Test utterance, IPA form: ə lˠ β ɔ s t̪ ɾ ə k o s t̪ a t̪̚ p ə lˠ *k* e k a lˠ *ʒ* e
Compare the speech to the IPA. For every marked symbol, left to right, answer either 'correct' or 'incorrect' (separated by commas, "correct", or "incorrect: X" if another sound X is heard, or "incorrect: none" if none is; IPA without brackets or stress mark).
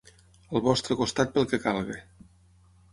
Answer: correct, incorrect: ɣ